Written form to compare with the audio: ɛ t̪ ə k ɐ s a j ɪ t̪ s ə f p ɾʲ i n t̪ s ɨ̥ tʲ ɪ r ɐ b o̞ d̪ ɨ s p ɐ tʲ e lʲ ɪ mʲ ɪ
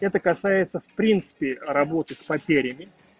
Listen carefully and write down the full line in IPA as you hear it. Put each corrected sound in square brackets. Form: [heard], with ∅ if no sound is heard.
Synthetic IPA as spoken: ɛ t̪ ə k ɐ s a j ɪ t̪ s ə f p ɾʲ i n t̪ s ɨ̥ [pʲ] ɪ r ɐ b o̞ [t̪] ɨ s p ɐ tʲ e [ɾʲ] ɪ mʲ ɪ